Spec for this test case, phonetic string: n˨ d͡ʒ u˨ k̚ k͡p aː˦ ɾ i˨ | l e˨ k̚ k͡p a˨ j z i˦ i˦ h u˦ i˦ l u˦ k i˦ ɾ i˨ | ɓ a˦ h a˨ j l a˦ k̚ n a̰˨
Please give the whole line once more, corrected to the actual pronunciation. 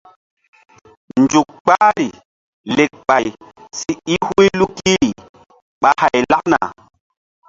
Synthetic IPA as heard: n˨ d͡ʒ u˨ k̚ k͡p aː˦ ɾ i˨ | l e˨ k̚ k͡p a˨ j s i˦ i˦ h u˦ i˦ l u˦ k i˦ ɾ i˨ | ɓ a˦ h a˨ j l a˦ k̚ n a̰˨